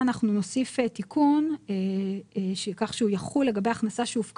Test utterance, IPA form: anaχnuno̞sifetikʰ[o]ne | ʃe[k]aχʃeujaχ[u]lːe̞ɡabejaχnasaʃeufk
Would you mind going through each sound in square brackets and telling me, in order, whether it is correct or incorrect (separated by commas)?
incorrect, correct, correct